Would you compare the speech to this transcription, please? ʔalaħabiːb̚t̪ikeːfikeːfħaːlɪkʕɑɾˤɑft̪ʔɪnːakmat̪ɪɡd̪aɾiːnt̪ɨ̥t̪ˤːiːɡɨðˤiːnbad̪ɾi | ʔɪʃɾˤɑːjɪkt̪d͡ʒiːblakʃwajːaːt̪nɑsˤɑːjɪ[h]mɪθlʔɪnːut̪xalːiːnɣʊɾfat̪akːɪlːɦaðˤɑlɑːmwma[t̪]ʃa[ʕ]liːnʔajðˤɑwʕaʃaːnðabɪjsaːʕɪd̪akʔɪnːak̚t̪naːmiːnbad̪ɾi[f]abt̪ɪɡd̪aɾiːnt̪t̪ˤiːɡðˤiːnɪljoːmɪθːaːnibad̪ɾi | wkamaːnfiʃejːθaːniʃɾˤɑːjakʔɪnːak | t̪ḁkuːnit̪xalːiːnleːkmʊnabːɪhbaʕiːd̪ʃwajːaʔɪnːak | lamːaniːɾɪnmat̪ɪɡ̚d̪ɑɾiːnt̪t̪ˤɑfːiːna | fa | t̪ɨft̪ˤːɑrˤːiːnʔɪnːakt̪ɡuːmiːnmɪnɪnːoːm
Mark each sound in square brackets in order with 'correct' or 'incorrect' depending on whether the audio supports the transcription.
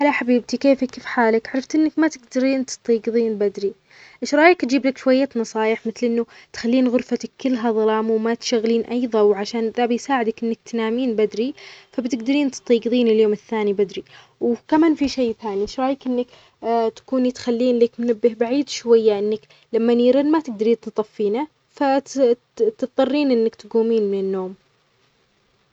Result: incorrect: ħ, correct, incorrect: ɣ, correct

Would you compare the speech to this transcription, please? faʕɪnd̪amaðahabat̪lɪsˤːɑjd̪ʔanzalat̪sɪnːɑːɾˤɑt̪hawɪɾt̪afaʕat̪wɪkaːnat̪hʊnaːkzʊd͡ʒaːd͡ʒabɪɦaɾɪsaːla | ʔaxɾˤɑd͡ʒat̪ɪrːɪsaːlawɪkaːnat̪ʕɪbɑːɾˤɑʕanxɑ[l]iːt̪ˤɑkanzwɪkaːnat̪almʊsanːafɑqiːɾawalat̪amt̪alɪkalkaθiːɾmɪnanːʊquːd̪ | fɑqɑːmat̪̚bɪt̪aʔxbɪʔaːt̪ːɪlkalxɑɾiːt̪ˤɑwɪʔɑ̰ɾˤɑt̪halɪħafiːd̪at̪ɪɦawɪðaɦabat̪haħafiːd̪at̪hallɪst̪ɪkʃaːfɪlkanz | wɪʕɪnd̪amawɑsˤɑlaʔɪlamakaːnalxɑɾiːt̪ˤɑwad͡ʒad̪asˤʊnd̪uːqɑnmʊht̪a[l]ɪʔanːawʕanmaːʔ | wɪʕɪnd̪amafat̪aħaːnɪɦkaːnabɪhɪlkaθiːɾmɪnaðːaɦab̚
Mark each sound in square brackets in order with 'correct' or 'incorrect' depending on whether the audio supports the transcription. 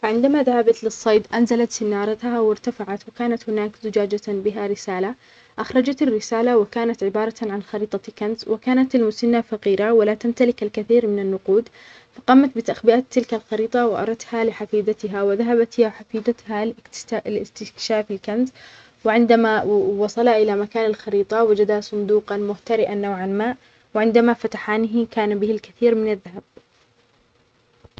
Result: incorrect: ɾ, incorrect: ɾ

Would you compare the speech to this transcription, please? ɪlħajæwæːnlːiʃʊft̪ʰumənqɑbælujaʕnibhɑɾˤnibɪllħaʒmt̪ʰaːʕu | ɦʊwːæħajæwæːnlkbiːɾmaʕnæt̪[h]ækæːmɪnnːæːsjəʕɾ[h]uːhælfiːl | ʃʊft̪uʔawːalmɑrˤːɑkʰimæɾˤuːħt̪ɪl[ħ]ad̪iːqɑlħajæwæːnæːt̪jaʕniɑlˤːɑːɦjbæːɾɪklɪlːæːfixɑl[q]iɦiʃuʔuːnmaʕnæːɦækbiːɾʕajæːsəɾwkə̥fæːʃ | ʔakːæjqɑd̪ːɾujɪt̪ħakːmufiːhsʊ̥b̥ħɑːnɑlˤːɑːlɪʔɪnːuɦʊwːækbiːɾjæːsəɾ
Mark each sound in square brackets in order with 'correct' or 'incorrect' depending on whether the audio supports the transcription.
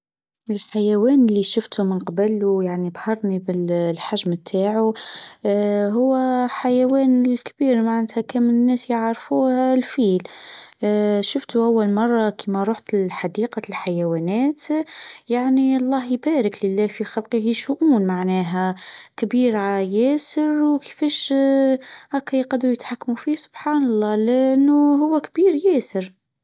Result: correct, incorrect: f, correct, correct

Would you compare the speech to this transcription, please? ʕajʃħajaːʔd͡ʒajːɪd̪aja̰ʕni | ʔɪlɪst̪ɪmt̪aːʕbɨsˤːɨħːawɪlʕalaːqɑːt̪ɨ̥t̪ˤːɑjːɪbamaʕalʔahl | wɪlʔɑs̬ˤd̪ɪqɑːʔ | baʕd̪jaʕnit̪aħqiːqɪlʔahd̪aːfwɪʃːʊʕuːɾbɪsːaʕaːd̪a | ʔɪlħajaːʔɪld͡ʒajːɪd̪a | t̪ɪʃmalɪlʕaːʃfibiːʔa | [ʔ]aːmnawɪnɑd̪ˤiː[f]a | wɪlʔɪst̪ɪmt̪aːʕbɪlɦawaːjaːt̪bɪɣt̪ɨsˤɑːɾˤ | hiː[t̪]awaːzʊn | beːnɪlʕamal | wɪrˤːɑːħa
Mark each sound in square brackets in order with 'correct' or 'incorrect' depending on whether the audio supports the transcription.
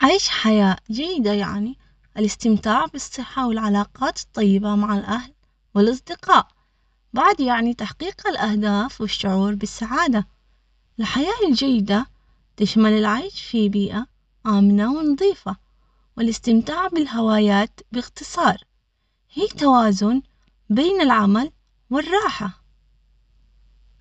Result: correct, correct, correct

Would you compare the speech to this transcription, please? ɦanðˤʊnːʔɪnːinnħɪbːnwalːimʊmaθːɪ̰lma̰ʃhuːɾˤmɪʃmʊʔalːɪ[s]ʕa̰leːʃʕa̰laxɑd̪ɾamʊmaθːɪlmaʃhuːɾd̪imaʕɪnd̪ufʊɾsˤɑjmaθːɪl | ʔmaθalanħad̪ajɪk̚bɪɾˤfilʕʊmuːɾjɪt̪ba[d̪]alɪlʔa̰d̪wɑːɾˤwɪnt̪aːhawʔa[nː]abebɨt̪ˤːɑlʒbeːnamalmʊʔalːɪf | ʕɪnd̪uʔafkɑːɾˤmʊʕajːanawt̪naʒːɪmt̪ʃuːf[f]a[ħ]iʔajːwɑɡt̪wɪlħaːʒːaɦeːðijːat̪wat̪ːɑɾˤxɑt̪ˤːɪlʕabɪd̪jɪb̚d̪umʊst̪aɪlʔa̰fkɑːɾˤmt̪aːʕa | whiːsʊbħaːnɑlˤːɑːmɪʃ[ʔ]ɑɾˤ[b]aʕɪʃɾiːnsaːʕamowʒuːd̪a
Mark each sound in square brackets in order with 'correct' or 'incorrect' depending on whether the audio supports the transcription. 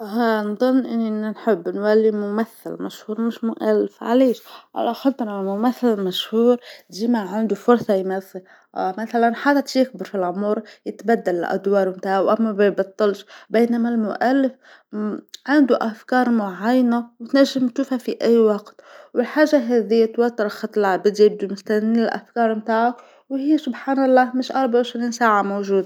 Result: incorrect: f, incorrect: d̪ː, incorrect: mː, incorrect: h, incorrect: f, correct, correct

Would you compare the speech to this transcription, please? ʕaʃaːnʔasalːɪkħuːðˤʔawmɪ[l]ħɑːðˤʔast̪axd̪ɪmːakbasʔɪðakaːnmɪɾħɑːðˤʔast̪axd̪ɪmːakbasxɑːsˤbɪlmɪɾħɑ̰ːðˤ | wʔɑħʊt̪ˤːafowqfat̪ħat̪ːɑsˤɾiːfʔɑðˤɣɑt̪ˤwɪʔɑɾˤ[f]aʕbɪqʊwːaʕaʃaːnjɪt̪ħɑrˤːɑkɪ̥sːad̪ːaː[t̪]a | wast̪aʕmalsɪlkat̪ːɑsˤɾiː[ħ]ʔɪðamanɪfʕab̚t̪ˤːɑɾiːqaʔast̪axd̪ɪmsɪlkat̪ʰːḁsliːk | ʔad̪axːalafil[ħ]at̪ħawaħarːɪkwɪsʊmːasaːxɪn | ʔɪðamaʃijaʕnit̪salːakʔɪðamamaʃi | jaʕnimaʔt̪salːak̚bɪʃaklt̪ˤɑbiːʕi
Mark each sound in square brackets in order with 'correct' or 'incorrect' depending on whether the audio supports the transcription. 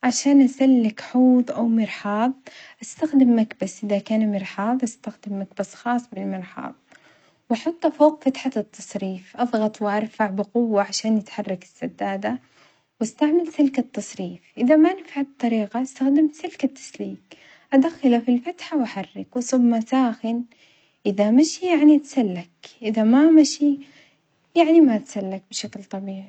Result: incorrect: ɾ, correct, incorrect: d̪, incorrect: f, incorrect: f

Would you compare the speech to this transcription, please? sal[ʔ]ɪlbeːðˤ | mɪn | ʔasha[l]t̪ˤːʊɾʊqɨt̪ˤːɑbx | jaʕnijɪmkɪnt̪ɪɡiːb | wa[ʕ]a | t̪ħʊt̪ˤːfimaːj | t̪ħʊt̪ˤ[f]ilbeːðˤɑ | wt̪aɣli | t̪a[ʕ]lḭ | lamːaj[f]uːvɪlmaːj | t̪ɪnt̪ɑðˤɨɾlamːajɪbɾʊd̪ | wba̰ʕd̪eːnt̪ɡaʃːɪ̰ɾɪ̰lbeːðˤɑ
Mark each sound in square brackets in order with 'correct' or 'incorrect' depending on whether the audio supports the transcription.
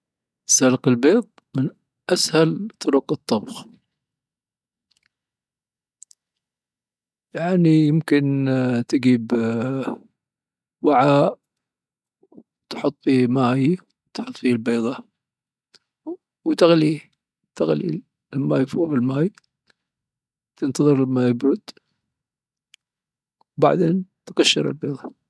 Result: incorrect: q, correct, correct, correct, incorrect: ɣ, correct

